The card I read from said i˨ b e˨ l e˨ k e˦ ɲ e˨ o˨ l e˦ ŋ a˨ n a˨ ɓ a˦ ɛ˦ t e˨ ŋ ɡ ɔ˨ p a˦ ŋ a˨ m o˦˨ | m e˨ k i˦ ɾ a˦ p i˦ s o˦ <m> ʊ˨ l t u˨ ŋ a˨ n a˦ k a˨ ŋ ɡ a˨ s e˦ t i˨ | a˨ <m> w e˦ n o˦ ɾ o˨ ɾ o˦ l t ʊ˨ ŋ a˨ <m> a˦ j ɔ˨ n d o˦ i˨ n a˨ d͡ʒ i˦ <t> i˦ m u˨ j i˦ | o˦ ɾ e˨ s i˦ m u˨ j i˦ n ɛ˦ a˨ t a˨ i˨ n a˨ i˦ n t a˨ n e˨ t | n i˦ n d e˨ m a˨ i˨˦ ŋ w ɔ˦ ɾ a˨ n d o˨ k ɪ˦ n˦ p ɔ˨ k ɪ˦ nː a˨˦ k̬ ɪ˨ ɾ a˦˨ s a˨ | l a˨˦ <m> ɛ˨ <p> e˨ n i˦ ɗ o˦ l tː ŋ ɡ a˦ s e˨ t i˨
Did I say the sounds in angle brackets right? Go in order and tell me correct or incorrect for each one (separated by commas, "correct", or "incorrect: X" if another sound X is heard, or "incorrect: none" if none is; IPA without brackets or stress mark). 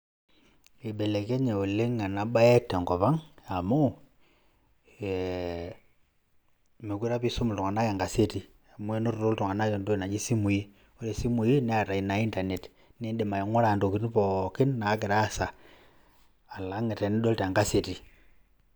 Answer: correct, correct, incorrect: n, incorrect: s, incorrect: ŋ, incorrect: t